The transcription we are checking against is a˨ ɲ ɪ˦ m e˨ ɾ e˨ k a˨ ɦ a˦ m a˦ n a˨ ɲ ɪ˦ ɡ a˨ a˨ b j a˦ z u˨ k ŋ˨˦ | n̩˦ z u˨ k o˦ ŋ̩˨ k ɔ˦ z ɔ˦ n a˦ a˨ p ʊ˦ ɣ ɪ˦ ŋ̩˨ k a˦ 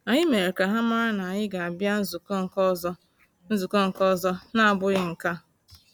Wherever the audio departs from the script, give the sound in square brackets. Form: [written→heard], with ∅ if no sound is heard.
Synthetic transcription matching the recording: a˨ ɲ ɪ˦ m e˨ ɾ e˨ k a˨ ɦ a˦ m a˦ n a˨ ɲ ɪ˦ ɡ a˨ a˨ b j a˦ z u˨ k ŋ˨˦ | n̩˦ z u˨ k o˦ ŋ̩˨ k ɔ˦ z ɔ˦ n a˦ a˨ [p→b] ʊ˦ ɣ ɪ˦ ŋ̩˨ k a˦